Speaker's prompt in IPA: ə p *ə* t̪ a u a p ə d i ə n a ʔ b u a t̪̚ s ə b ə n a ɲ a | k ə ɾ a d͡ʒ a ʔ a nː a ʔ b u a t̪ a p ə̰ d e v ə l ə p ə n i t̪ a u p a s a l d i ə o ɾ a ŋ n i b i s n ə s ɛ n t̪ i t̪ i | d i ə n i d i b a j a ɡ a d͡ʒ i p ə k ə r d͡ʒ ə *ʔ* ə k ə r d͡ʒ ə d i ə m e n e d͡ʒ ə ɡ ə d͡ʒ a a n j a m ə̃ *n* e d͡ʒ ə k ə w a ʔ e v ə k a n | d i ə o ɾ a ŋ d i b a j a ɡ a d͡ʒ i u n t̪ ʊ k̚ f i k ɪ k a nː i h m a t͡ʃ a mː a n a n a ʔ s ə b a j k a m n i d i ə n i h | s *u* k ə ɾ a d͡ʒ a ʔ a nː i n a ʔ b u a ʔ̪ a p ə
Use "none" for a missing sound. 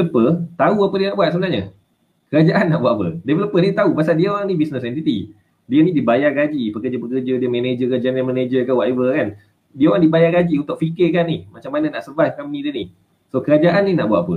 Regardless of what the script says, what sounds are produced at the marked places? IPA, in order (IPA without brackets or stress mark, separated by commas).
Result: ə, p, n, o